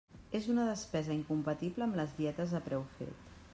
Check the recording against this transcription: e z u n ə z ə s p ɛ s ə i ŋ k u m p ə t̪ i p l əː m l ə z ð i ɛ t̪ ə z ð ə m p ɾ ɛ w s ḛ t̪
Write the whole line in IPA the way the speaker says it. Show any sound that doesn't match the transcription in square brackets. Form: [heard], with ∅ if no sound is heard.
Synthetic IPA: e z u n ə [ð] ə s p ɛ [z] ə i ŋ k u m p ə t̪ i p l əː m l ə z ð i ɛ t̪ ə z ð ə [∅] p ɾ ɛ w [f] ḛ t̪